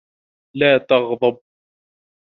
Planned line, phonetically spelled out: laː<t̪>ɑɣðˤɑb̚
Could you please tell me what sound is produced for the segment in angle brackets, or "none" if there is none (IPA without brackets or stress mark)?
t̪